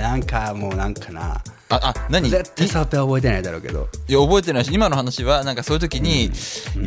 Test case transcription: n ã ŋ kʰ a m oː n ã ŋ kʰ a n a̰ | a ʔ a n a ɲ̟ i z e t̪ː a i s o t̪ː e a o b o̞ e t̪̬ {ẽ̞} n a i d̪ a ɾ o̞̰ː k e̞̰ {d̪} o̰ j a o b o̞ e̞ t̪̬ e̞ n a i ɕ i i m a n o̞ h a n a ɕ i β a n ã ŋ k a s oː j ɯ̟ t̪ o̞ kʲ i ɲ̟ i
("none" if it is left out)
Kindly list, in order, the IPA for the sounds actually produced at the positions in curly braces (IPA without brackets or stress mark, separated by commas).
e̞, d̪